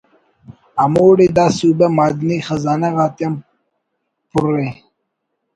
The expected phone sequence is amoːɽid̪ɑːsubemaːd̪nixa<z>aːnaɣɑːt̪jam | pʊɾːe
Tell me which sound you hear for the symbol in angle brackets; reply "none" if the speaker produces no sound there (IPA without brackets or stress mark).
z